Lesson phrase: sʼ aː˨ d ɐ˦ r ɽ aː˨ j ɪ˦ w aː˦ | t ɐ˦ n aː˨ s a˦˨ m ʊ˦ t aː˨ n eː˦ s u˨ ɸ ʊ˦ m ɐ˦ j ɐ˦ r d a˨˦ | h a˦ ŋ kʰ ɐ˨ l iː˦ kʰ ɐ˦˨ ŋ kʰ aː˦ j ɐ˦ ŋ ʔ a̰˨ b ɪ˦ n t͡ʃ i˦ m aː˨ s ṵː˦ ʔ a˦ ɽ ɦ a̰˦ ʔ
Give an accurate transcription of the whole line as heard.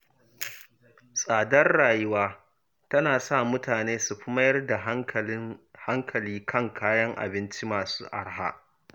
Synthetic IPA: sʼ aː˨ d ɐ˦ r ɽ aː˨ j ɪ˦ w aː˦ | t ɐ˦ n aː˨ s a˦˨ m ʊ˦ t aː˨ n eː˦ s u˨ ɸ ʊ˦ m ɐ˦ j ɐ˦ r d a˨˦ | h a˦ ŋ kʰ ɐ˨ l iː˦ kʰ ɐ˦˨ ŋ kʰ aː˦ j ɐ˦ ŋ ʔ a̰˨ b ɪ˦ n t͡ʃ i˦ m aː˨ s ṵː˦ ʔ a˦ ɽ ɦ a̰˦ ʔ